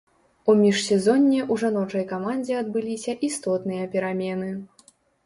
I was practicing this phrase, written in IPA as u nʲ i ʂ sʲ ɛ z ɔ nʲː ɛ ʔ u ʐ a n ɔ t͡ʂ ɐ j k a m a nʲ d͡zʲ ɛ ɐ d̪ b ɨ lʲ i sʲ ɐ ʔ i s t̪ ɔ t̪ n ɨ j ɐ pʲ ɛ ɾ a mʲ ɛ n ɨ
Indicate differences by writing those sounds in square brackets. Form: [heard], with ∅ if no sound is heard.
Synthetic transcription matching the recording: u [mʲ] i ʂ sʲ ɛ z ɔ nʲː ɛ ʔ u ʐ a n ɔ t͡ʂ ɐ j k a m a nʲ d͡zʲ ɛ ɐ d̪ b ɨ lʲ i sʲ ɐ ʔ i s t̪ ɔ t̪ n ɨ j ɐ pʲ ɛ ɾ a mʲ ɛ n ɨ